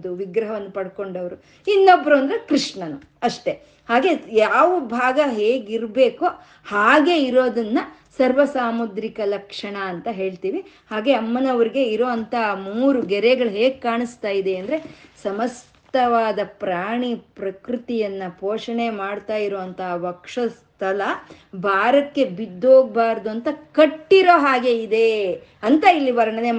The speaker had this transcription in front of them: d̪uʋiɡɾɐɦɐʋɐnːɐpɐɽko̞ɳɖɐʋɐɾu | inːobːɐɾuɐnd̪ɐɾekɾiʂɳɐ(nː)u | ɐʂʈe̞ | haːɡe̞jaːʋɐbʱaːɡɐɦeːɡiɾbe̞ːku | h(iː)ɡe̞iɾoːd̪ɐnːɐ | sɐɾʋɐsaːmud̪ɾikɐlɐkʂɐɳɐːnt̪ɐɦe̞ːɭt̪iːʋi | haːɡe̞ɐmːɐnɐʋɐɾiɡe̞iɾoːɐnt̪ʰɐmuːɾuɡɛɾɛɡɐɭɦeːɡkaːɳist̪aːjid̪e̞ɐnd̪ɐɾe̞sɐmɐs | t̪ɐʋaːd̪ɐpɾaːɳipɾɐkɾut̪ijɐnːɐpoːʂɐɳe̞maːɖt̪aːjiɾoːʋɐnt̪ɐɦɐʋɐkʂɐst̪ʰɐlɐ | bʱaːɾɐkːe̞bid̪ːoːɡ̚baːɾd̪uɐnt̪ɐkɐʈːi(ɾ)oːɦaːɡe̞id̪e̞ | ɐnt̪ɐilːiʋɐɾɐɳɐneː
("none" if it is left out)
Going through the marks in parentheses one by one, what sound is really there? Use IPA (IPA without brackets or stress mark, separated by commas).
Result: n, aː, ɾ